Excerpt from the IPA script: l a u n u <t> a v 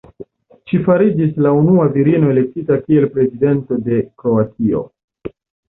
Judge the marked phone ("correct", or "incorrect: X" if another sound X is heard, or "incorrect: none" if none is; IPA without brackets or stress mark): incorrect: none